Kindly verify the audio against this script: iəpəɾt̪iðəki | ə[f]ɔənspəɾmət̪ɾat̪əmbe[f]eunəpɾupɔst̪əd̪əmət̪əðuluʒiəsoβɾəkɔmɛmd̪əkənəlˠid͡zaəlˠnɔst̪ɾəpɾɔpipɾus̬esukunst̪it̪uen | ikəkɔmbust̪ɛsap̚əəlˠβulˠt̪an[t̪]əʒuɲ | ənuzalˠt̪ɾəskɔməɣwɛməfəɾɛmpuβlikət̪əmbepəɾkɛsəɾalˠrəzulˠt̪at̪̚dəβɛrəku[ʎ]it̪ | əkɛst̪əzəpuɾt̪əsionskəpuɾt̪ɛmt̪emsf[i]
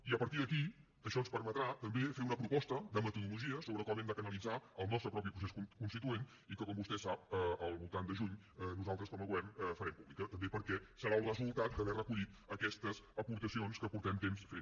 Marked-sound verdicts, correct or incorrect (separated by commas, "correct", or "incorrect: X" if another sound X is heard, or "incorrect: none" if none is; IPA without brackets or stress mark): incorrect: ʃ, correct, incorrect: d̪, correct, incorrect: e